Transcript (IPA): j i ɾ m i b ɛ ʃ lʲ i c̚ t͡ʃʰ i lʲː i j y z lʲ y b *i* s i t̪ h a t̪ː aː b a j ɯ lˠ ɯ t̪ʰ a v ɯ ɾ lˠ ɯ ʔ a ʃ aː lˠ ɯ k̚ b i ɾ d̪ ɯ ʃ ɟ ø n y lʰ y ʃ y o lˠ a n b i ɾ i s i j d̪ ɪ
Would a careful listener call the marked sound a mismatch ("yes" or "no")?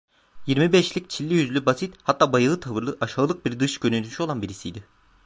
yes